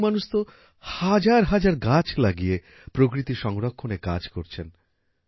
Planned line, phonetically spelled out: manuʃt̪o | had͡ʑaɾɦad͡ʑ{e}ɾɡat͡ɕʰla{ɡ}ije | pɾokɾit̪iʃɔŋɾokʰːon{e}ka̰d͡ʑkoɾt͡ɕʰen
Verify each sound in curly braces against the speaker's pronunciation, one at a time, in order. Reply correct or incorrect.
incorrect, correct, correct

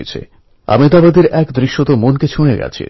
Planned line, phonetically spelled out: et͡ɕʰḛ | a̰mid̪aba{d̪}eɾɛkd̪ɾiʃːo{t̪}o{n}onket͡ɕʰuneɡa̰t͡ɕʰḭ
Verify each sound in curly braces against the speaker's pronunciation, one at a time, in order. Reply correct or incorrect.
correct, correct, incorrect

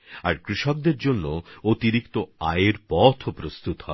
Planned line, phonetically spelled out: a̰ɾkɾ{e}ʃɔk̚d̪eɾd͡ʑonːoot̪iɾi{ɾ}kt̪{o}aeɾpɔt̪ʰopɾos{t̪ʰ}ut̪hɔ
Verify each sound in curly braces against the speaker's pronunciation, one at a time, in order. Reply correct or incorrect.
incorrect, incorrect, correct, incorrect

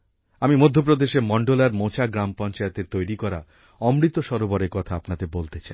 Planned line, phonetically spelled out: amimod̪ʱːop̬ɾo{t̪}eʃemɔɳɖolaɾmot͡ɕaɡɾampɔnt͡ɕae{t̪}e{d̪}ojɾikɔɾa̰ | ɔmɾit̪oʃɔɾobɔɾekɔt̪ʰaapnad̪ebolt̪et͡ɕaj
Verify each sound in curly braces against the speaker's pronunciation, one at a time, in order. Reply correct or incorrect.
incorrect, correct, incorrect

